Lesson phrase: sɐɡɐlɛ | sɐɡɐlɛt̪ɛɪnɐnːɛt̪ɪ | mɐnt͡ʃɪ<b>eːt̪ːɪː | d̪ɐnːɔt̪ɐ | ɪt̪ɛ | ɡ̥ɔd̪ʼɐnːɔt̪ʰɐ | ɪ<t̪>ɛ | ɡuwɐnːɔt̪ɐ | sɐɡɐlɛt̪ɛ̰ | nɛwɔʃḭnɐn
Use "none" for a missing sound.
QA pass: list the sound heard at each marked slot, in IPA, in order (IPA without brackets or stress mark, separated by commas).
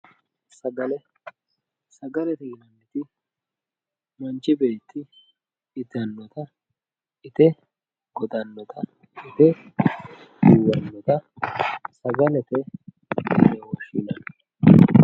b, t̪